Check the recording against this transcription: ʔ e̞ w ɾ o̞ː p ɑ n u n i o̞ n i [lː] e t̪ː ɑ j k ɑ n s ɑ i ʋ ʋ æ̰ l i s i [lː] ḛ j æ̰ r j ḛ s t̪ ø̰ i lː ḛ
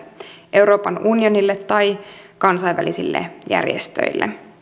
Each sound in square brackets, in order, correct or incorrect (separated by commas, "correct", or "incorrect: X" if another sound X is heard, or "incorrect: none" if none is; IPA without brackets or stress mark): correct, correct